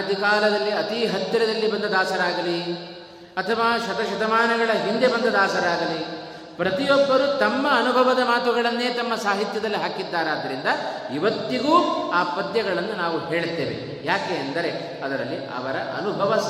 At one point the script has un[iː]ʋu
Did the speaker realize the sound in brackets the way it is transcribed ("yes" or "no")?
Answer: no